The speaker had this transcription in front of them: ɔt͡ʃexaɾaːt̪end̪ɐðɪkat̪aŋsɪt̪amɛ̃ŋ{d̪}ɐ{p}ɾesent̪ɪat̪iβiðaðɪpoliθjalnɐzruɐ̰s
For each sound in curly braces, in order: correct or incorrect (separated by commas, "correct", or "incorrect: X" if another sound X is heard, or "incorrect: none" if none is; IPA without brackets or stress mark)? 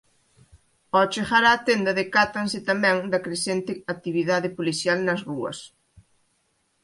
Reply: correct, incorrect: k